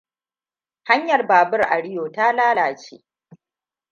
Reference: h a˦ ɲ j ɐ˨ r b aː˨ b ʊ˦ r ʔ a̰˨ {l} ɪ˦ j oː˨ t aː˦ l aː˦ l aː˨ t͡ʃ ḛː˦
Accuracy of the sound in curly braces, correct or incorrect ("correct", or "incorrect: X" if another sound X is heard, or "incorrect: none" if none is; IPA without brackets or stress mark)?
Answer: incorrect: ɽ